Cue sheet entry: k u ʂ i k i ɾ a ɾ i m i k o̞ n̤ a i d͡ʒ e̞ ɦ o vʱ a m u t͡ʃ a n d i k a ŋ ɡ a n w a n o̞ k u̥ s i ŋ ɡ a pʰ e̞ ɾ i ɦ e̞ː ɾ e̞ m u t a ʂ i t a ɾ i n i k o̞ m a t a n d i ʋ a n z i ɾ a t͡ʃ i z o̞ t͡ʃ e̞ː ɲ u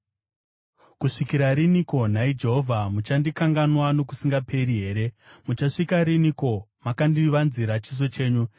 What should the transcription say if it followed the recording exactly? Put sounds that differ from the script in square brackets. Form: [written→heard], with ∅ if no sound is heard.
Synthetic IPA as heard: k u ʂ i k i ɾ a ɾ i [m→n] i k o̞ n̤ a i d͡ʒ e̞ ɦ o vʱ a m u t͡ʃ a n d i k a ŋ ɡ a n w a n o̞ k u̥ s i ŋ ɡ a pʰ e̞ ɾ i ɦ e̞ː ɾ e̞ m u [t→t͡ʃ] a ʂ i [t→k] a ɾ i n i k o̞ m a [t→k] a n d i ʋ a n z i ɾ a t͡ʃ i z o̞ t͡ʃ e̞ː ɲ u